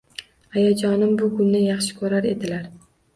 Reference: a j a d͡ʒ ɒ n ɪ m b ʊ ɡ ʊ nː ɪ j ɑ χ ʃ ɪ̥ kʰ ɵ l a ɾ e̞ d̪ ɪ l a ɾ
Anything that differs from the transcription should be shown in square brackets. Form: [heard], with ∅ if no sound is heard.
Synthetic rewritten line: a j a d͡ʒ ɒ n ɪ m b ʊ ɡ ʊ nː ɪ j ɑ χ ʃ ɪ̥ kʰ ɵ [ɾ] a ɾ e̞ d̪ ɪ l a ɾ